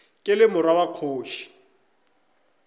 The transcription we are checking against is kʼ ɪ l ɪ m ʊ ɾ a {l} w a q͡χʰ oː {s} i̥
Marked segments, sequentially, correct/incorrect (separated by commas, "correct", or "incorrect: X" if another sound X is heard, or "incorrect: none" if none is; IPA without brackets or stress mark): incorrect: none, incorrect: ʃ